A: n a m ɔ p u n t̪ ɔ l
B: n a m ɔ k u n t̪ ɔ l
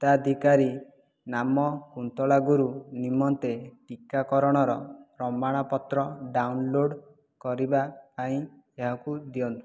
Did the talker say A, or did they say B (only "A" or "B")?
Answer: B